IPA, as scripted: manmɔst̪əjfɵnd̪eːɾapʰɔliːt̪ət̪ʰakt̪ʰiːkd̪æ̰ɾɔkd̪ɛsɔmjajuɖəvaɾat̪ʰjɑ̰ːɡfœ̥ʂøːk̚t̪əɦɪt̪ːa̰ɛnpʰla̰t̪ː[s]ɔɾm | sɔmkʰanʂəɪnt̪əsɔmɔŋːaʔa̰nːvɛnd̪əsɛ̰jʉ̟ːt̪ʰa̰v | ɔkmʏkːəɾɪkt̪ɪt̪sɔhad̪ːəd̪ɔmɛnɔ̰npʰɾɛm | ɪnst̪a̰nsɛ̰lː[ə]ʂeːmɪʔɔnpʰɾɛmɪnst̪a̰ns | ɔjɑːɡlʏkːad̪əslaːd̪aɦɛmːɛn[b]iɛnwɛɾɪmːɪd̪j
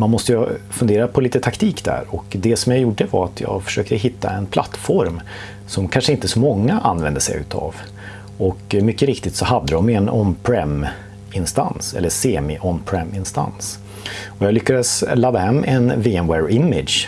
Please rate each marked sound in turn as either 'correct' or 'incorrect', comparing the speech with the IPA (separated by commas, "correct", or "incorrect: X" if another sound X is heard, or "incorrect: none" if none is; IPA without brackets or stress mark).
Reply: incorrect: f, correct, incorrect: v